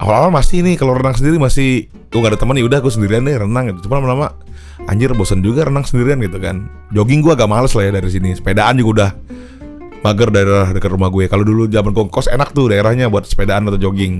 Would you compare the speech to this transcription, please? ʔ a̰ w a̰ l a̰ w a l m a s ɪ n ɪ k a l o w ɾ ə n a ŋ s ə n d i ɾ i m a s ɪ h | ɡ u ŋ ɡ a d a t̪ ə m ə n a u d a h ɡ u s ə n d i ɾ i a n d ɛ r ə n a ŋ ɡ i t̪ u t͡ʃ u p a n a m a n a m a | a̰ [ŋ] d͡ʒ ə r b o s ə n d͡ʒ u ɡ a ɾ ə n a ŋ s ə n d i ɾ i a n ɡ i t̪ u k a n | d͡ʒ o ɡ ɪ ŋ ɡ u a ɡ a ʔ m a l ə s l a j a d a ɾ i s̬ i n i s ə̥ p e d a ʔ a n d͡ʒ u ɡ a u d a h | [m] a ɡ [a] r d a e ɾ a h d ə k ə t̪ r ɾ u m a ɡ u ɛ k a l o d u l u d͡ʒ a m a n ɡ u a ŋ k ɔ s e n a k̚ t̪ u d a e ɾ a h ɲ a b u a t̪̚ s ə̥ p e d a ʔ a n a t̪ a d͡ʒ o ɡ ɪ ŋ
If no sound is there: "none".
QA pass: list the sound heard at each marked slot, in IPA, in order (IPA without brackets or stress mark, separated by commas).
ɲ, m, ə